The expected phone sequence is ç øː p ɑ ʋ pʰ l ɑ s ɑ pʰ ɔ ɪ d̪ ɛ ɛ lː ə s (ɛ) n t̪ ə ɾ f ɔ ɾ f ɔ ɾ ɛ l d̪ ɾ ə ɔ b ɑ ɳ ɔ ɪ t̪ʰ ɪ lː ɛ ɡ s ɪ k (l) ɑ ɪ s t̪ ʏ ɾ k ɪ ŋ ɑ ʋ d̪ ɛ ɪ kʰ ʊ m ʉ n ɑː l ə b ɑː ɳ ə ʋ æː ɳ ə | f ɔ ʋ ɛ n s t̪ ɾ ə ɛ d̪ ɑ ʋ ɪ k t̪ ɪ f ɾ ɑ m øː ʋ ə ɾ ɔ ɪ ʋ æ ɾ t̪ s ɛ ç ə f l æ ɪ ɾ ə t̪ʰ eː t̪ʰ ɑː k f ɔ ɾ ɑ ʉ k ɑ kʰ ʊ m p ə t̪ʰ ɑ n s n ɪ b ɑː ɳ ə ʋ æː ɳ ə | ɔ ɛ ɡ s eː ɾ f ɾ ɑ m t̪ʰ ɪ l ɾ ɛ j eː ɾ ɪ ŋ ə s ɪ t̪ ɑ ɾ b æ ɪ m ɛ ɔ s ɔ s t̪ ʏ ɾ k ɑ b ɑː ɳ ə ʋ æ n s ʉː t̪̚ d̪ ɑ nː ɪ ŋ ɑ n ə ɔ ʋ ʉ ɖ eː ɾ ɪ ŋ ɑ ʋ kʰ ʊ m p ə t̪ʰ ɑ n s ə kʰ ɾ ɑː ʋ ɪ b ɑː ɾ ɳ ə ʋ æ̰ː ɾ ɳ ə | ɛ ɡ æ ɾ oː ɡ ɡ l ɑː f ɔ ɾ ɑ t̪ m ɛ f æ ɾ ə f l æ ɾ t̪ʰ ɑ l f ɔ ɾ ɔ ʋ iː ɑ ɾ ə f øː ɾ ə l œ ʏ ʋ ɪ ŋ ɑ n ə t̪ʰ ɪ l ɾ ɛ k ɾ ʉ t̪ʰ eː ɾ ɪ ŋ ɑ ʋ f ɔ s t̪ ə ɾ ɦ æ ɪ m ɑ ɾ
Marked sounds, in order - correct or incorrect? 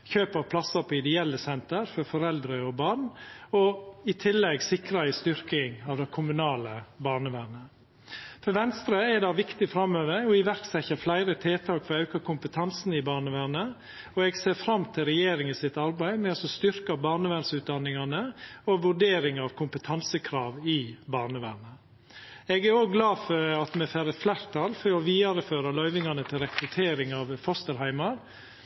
correct, incorrect

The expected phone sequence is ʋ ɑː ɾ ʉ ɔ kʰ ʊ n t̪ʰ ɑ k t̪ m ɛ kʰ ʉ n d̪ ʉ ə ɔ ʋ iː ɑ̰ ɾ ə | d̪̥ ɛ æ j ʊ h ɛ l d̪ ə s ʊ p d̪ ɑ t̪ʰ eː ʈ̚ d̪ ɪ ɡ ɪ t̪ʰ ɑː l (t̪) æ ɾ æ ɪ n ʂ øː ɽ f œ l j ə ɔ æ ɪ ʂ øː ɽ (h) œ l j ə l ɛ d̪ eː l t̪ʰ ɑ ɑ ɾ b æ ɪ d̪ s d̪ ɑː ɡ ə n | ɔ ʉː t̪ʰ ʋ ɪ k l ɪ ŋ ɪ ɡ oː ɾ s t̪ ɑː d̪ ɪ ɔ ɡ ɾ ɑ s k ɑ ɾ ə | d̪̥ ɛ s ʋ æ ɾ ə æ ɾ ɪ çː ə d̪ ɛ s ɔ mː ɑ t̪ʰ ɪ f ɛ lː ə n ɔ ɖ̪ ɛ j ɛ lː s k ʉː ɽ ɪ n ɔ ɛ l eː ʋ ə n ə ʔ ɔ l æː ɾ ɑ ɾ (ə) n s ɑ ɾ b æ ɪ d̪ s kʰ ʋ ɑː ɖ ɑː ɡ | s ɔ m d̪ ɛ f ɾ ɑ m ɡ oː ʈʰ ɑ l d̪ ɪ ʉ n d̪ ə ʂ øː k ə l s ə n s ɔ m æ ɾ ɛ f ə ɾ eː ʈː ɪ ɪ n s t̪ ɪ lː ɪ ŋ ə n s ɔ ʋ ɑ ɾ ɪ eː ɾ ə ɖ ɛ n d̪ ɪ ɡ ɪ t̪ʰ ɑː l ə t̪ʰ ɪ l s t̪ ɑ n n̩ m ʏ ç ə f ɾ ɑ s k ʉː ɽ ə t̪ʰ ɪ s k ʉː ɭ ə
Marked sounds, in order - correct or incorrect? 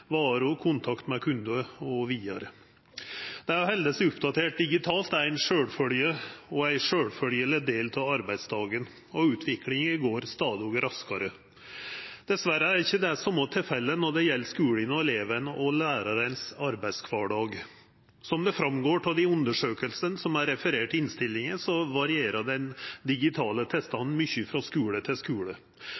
correct, incorrect, correct

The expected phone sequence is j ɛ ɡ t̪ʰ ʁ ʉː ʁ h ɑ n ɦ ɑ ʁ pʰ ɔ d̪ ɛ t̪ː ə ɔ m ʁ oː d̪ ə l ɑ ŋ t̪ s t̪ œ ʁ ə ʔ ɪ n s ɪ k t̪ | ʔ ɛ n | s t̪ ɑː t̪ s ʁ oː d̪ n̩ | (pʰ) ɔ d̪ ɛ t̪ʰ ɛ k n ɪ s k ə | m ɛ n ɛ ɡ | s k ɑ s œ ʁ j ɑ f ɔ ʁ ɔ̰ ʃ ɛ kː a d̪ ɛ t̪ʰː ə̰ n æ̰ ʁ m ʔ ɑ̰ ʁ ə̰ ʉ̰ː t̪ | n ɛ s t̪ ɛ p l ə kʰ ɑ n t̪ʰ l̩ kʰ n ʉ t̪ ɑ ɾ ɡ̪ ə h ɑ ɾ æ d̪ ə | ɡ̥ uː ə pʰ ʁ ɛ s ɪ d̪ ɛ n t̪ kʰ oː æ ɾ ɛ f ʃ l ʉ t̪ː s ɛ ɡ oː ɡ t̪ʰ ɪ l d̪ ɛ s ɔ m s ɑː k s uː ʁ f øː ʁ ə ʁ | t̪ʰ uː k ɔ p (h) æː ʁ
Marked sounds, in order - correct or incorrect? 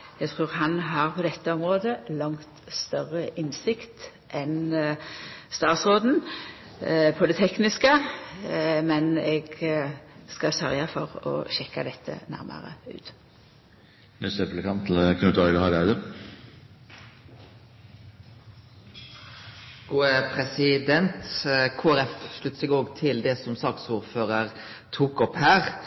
correct, correct

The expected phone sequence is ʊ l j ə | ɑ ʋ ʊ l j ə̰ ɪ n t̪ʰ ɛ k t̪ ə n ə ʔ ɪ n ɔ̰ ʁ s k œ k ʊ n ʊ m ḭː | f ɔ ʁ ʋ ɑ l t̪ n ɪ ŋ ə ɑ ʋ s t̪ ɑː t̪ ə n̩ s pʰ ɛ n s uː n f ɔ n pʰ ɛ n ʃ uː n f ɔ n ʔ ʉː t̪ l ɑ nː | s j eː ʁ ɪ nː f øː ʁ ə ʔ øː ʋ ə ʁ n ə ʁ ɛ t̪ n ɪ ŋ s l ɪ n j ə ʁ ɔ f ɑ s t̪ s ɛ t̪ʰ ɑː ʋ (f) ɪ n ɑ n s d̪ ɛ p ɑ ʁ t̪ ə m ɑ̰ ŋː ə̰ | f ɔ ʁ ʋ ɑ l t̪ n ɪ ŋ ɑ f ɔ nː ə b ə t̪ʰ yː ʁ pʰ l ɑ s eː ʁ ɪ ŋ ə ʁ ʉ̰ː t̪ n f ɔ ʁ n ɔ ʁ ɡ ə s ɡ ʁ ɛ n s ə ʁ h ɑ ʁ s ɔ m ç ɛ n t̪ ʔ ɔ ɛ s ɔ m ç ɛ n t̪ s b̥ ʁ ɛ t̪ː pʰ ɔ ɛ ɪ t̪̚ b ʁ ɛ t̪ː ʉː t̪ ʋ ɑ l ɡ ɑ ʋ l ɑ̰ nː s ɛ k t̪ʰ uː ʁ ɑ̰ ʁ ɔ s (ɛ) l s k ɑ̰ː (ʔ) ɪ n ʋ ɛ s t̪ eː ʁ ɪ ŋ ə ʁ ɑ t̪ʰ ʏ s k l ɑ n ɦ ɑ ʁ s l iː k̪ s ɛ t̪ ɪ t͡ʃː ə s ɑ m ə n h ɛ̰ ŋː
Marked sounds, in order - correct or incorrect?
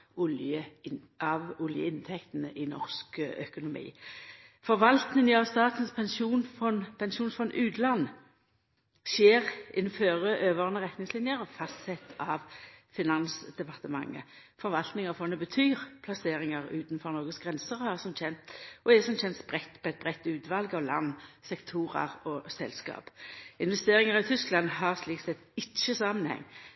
correct, correct, incorrect

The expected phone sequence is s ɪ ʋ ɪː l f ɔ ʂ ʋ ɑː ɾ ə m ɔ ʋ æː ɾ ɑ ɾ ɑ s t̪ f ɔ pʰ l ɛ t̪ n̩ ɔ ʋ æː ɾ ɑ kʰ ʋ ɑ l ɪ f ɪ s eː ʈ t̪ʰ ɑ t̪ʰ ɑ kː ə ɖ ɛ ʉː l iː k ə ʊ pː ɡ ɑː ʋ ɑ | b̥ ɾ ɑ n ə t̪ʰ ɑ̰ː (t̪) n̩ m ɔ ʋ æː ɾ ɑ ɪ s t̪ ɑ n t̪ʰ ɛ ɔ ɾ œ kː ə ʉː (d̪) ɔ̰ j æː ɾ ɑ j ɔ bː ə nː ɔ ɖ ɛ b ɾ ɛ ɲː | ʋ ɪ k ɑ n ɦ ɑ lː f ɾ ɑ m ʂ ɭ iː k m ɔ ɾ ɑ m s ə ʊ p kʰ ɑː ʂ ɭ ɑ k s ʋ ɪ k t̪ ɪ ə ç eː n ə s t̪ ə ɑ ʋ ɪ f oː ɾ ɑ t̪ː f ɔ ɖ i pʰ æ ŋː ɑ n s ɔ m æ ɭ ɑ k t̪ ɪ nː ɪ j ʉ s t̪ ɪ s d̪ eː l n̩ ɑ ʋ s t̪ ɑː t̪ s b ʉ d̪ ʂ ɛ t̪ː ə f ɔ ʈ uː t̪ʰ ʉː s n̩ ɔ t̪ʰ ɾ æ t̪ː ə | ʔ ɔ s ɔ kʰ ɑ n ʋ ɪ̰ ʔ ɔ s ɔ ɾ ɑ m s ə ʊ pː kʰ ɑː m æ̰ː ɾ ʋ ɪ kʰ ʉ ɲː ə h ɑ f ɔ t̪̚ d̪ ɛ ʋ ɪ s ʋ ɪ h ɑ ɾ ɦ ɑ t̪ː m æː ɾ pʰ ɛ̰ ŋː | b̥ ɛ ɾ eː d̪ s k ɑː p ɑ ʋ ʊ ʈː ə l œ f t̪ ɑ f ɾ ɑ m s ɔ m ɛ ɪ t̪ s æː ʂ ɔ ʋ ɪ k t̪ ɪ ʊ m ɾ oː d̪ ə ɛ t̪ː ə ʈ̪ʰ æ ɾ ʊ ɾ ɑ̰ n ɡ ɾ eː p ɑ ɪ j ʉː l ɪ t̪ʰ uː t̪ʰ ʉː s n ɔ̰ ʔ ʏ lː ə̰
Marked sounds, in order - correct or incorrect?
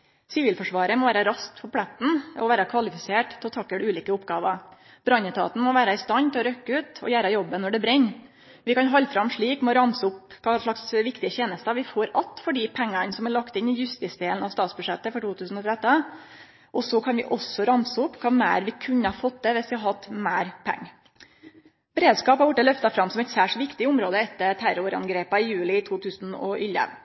correct, incorrect

